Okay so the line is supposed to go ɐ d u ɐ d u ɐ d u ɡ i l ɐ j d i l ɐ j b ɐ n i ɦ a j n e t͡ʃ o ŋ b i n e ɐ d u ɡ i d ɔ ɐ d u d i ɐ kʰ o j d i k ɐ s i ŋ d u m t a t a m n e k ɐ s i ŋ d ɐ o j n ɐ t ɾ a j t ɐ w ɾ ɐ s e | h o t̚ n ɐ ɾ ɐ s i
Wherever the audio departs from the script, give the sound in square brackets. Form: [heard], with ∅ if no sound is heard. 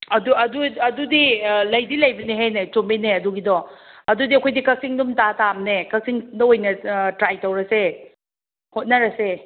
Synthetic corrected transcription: ɐ d u ɐ d u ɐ d u [d] i l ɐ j d i l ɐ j b ɐ n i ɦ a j n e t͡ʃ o [m] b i n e ɐ d u ɡ i d ɔ ɐ d u d i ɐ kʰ o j d i k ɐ s i ŋ d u m t a t a m n e k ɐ s i ŋ d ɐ o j n ɐ t ɾ a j t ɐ w ɾ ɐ s e | h o t̚ n ɐ ɾ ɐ s [e]